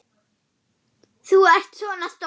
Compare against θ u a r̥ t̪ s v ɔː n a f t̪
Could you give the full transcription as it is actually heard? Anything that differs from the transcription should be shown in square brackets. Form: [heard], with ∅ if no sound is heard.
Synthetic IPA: θ u [ɛ] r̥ t̪ s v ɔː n a [s] t̪